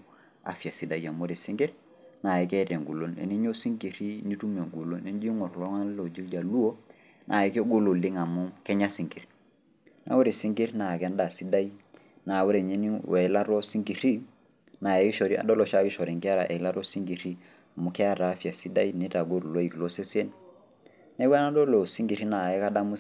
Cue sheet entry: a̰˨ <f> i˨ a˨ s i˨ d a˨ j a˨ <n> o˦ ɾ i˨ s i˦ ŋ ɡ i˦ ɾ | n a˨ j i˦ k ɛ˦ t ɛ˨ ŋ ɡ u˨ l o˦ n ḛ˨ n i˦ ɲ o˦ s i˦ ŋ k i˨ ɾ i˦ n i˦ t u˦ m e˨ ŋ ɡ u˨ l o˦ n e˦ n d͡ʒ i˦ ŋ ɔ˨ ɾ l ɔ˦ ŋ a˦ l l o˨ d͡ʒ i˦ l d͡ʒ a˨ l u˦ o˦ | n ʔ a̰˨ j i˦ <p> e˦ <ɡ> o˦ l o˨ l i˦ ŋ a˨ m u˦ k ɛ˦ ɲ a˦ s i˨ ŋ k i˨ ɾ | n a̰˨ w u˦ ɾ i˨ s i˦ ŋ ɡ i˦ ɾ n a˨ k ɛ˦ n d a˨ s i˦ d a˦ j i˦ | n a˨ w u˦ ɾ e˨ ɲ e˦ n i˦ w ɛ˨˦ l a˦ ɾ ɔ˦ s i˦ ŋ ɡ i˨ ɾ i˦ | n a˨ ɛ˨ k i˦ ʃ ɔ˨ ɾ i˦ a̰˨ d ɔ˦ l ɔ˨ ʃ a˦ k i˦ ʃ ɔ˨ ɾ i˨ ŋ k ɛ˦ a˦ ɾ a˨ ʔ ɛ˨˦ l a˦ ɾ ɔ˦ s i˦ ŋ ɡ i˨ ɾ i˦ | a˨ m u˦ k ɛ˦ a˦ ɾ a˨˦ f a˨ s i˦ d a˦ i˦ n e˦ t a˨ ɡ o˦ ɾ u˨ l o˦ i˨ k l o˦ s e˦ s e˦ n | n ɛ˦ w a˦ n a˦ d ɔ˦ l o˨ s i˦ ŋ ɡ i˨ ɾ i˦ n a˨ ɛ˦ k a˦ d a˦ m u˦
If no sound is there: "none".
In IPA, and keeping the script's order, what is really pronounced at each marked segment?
f, m, k, ɡ

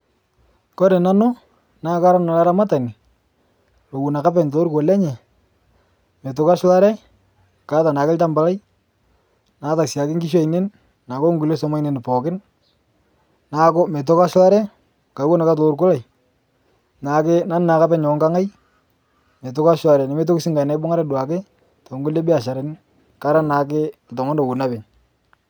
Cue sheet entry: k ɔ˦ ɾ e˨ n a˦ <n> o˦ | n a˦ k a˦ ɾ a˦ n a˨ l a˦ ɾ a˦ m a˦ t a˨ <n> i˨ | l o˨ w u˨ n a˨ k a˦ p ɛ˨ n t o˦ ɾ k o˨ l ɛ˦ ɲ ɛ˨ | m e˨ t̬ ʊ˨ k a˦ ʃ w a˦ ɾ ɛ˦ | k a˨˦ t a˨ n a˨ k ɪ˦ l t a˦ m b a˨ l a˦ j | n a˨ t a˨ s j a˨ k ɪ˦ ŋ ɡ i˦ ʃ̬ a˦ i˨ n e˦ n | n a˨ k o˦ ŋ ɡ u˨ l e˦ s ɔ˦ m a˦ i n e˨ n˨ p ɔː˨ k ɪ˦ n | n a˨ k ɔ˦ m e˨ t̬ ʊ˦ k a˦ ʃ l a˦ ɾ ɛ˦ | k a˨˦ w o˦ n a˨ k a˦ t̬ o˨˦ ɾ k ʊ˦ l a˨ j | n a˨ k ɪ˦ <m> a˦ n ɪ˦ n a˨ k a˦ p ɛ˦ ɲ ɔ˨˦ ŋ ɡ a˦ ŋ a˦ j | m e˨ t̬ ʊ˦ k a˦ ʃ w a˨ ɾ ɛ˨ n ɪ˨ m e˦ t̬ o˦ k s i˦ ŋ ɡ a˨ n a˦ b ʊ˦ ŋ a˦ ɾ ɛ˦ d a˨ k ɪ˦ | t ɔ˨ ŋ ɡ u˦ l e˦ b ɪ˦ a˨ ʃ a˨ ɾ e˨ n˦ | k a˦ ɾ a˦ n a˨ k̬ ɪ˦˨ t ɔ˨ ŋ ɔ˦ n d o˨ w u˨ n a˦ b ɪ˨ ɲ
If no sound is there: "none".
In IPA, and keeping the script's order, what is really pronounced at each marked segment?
n, n, n

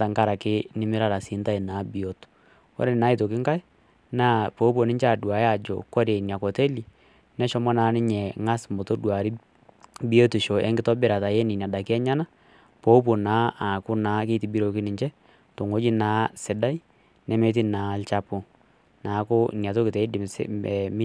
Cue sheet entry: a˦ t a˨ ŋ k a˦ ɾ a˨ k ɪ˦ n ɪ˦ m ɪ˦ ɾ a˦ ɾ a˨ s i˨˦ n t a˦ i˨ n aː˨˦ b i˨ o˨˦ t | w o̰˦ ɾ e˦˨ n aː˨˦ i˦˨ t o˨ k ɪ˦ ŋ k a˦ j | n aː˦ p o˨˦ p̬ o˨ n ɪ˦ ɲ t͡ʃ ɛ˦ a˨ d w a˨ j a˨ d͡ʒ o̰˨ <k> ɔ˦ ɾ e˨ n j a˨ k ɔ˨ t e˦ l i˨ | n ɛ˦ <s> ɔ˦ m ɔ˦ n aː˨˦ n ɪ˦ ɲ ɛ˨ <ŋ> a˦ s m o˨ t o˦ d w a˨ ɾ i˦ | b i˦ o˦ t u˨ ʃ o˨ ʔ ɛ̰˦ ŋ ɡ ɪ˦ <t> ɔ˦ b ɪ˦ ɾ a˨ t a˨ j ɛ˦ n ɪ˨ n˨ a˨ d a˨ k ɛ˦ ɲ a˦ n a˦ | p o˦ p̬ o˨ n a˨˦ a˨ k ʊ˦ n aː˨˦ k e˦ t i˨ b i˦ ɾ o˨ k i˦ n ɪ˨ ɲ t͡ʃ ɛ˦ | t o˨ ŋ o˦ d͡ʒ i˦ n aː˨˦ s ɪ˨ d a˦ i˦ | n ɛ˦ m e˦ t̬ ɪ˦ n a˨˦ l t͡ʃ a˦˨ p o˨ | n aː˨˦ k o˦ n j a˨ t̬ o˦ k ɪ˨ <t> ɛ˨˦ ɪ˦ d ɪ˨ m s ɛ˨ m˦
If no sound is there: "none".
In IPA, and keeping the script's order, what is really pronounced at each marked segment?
k, ʃ, ŋ, t, t

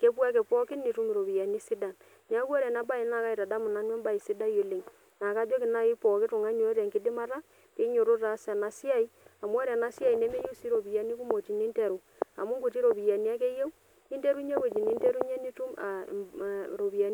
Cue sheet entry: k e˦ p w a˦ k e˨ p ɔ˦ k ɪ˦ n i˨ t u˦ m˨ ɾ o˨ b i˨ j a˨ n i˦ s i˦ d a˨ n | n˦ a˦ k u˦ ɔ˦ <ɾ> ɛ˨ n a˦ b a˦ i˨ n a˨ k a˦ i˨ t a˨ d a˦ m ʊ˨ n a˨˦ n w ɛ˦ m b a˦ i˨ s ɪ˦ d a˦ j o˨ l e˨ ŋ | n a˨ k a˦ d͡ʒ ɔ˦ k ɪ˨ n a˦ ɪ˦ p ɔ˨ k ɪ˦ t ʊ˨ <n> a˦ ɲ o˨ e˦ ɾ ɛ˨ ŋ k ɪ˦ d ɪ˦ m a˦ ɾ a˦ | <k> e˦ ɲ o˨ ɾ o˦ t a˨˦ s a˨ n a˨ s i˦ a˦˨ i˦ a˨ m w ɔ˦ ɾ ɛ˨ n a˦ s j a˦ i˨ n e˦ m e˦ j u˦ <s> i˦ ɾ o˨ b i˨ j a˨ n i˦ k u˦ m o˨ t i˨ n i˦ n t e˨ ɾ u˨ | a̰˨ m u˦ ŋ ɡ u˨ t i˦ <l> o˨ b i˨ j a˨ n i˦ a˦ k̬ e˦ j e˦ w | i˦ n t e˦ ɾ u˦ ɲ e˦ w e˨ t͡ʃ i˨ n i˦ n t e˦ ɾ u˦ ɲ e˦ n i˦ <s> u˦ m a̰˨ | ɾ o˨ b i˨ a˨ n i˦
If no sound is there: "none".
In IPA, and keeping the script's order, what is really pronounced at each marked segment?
ɾ, ŋ, k, s, ɾ, t

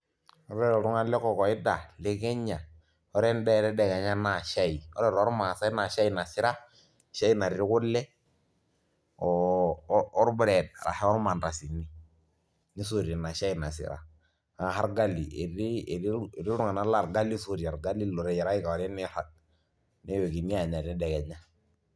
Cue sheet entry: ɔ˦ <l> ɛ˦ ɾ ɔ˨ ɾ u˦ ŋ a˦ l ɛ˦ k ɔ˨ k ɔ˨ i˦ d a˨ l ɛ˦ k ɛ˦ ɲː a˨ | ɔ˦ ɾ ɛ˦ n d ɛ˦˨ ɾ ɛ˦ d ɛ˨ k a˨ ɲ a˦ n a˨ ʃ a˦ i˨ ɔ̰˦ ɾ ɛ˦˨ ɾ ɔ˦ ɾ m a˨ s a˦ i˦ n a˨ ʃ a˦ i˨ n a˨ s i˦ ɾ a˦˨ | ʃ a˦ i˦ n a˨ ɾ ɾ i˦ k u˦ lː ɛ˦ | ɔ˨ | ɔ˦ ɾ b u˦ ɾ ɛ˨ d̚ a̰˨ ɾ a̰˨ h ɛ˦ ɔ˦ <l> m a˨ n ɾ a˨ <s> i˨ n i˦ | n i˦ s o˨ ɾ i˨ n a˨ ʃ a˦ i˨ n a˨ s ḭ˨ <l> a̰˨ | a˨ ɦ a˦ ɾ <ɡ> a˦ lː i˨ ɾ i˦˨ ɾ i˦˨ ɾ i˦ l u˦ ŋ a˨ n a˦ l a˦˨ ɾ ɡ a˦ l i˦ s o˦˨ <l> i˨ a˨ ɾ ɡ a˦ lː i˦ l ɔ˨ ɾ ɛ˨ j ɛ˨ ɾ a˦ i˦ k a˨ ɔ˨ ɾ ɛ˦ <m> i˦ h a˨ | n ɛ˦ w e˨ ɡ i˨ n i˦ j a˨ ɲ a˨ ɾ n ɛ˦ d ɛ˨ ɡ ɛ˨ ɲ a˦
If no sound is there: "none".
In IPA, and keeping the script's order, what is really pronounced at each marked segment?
ɾ, ɾ, s, ɾ, ɡ, ɾ, n

